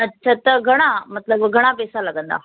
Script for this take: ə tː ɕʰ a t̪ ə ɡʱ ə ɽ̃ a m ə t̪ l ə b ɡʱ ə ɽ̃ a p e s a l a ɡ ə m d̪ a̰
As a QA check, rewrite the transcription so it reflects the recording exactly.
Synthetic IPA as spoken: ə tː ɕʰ a t̪ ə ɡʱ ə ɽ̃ a m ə t̪ l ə b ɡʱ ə ɽ̃ a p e s a l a ɡ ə n d̪ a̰

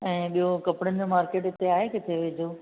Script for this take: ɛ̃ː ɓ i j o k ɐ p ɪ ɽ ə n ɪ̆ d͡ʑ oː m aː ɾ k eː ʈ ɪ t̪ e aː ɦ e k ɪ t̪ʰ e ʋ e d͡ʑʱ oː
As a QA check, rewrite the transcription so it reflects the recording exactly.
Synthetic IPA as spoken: ɛ̃ː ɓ i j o k ɐ p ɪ ɽ ə n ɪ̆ d͡ʑ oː m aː ɾ k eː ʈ ɪ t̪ e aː ɦ e k ɪ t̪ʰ e ʋ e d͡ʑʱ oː

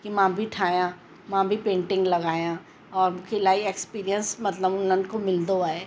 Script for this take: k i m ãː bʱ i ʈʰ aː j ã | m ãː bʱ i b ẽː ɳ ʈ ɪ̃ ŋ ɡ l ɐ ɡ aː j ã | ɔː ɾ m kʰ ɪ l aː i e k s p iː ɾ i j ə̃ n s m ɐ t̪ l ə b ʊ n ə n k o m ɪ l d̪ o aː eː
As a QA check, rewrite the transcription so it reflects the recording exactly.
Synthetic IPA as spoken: k i m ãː bʱ i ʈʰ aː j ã | m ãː bʱ i p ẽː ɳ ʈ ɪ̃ ŋ ɡ l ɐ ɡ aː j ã | ɔː ɾ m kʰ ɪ l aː i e k s p iː ɾ i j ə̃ n s m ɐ t̪ l ə b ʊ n ə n k o m ɪ l d̪ o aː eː

